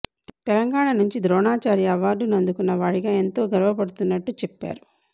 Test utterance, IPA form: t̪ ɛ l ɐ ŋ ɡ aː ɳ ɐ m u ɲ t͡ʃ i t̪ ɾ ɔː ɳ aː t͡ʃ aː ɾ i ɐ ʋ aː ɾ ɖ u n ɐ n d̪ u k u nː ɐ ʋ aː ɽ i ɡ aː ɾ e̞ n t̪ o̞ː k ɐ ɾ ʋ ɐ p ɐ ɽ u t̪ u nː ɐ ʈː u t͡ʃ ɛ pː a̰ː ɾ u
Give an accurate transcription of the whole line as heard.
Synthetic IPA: t̪ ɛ l ɐ ŋ ɡ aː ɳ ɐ n u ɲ t͡ʃ i d̪ ɾ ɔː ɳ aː t͡ʃ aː ɾ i ɐ ʋ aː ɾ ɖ u n ɐ n d̪ u k u nː ɐ ʋ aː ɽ i ɡ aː e̞ n t̪ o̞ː ɡ ɐ ɾ ʋ ɐ p ɐ ɽ u t̪ u nː ɐ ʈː u t͡ʃ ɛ pː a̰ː ɾ u